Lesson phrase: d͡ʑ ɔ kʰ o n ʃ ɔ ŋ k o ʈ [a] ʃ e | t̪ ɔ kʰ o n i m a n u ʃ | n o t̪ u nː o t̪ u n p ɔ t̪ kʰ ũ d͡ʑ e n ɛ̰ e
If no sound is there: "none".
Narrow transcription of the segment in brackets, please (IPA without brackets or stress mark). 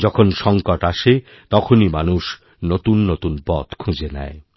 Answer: a